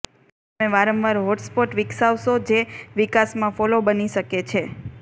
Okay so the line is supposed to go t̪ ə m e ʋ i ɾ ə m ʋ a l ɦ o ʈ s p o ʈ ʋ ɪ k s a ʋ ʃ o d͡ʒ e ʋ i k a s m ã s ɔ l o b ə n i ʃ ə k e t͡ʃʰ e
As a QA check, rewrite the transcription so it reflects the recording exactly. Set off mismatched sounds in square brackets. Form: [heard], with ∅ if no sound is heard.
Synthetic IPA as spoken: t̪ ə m e ʋ [a] ɾ ə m ʋ a [ɾ] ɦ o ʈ s p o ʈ ʋ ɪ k s a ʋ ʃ o d͡ʒ e ʋ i k a s m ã [f] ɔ l o b ə n i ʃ ə k e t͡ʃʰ e